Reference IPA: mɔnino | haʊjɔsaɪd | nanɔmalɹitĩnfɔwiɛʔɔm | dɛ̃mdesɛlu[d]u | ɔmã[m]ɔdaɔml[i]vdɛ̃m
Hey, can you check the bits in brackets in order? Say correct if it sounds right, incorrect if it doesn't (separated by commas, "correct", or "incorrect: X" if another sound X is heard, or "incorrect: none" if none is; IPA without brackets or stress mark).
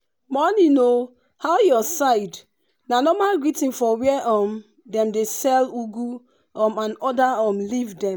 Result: incorrect: ɡ, incorrect: n, correct